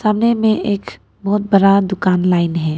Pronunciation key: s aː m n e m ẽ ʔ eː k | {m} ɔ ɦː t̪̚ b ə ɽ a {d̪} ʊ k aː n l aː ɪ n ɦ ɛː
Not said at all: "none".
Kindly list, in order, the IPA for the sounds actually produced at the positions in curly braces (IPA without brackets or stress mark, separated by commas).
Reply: b, d̪